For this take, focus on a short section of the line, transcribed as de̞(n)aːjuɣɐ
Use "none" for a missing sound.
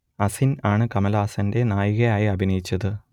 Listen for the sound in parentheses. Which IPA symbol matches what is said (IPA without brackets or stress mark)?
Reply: n